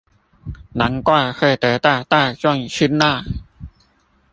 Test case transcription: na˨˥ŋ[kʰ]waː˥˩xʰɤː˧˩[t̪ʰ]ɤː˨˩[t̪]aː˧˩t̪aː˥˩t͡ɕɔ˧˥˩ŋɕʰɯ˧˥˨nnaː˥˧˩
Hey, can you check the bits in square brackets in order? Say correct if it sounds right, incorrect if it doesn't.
incorrect: k, incorrect: t̪, correct

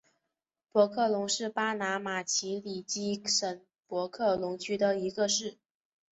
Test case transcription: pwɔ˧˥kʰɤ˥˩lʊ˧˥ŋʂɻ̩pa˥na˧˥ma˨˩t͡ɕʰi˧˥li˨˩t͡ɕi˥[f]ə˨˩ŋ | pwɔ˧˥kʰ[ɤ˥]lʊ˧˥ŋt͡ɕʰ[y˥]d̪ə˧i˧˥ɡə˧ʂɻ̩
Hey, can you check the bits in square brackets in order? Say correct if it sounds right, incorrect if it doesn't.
incorrect: ʂ, incorrect: ɤ˥˩, correct

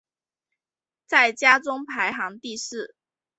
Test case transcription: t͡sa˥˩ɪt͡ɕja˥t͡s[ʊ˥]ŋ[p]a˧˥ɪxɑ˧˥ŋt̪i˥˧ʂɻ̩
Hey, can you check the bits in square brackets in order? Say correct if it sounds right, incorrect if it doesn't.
correct, incorrect: pʰ

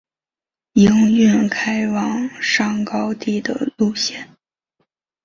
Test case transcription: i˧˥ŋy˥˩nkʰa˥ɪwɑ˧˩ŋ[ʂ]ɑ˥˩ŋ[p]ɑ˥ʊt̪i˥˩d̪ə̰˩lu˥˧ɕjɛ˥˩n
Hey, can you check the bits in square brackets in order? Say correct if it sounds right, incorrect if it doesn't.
correct, incorrect: k

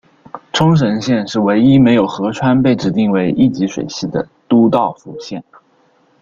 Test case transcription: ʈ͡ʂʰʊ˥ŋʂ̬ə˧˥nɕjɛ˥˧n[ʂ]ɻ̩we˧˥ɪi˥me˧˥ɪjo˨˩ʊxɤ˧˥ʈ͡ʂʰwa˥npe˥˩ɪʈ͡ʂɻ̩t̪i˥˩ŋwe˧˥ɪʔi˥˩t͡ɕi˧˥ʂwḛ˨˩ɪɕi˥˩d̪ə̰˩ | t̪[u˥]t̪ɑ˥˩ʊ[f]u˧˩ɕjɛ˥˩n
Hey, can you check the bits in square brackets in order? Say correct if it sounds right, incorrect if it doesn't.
correct, correct, correct

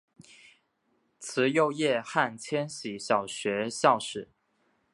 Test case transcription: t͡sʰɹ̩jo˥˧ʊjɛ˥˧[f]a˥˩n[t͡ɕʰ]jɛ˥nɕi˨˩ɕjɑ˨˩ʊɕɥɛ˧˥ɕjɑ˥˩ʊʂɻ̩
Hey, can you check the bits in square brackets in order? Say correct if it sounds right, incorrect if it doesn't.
incorrect: x, correct

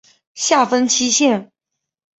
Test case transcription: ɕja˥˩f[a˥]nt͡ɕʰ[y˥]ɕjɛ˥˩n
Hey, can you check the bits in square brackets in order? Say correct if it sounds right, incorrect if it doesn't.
incorrect: ə˥, incorrect: i˥

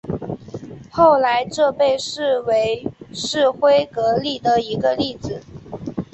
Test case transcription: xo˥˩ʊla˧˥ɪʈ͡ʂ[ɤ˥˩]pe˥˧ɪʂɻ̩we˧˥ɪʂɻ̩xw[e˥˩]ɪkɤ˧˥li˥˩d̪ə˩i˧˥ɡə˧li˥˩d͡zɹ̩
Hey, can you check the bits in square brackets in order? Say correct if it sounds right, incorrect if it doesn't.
incorrect: ɤ˥˧, incorrect: e˥

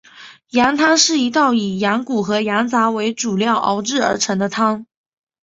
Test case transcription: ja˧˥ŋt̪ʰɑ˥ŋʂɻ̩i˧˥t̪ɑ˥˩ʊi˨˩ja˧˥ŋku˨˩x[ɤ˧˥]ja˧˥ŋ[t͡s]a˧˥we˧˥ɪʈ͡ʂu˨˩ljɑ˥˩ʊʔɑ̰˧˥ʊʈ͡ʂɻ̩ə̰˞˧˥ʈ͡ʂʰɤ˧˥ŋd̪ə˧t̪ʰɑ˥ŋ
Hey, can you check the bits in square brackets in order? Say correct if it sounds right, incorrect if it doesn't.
correct, correct

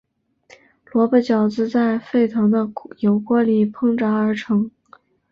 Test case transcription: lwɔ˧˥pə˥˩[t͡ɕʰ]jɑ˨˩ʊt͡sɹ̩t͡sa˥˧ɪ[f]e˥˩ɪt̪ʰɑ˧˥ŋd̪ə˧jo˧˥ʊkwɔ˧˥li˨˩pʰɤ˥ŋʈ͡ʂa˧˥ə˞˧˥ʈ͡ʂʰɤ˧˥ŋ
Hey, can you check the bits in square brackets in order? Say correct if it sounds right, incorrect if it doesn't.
incorrect: t͡ɕ, correct

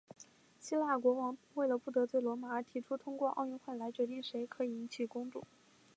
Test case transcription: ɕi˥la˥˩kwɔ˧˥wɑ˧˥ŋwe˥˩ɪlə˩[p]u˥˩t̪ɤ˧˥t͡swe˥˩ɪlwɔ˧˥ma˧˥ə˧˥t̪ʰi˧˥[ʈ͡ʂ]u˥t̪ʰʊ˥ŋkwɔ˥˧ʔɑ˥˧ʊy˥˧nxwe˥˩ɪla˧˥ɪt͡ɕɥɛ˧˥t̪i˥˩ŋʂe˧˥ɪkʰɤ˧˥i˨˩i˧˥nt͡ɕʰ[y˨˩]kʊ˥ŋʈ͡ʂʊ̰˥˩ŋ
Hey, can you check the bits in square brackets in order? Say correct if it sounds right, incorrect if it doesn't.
correct, incorrect: ʈ͡ʂʰ, incorrect: i˨˩

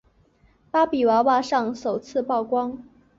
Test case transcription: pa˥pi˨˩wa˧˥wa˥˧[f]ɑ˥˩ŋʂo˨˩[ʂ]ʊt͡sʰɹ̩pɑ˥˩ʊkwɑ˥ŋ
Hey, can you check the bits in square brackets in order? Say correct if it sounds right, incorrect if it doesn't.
incorrect: ʂ, incorrect: none

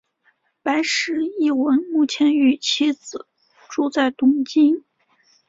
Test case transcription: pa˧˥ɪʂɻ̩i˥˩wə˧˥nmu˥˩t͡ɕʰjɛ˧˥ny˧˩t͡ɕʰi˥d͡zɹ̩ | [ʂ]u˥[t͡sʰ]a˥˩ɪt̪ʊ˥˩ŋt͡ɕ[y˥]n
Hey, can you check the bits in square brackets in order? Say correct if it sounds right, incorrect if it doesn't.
incorrect: ʈ͡ʂ, incorrect: t͡s, incorrect: i˥

